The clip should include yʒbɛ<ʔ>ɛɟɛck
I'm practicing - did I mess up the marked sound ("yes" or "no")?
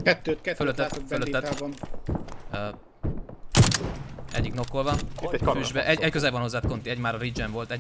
no